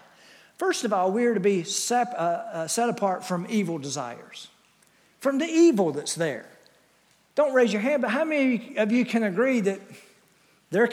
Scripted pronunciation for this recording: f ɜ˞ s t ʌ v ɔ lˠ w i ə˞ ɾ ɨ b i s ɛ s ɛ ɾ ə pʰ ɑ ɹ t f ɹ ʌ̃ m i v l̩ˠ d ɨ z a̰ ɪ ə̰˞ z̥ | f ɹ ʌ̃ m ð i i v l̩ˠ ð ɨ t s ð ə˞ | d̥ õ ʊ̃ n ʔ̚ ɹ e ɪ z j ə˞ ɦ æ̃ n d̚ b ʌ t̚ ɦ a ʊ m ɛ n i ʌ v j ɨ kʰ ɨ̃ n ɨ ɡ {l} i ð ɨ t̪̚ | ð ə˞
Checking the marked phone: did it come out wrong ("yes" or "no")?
yes